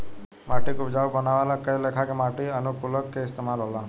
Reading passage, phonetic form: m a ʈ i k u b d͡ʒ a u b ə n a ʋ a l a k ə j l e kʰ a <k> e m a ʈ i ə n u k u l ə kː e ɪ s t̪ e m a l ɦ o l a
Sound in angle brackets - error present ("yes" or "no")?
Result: no